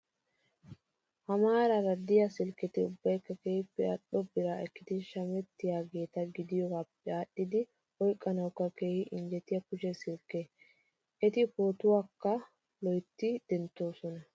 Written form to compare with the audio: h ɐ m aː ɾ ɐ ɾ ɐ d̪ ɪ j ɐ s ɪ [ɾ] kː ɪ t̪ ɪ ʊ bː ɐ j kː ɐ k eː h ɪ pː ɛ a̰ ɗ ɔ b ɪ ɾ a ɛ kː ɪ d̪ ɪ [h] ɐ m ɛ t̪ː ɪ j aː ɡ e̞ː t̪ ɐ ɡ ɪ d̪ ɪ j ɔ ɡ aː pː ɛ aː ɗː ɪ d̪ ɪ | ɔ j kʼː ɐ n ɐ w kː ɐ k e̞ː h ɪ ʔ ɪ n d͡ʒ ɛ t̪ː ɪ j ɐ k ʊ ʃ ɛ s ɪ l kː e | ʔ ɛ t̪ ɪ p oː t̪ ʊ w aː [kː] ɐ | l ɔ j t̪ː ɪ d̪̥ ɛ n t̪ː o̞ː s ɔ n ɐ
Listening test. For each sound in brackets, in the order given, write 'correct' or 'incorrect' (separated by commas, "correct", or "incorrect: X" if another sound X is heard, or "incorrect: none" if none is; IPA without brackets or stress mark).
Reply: incorrect: l, incorrect: ʃ, correct